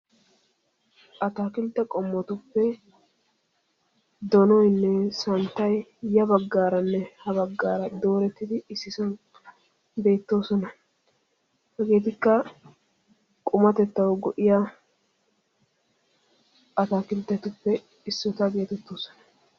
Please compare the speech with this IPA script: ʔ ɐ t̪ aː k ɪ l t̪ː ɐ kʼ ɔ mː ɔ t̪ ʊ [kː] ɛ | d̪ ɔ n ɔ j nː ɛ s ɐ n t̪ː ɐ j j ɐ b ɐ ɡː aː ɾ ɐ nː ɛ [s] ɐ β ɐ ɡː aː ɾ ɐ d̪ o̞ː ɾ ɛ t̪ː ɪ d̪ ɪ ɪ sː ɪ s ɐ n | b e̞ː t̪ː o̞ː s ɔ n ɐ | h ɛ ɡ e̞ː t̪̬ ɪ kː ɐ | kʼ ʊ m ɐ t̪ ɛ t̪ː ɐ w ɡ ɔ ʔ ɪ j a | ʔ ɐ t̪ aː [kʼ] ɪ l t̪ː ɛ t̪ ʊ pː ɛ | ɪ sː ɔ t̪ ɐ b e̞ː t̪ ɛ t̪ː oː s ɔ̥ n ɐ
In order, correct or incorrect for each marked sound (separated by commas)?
incorrect, incorrect, incorrect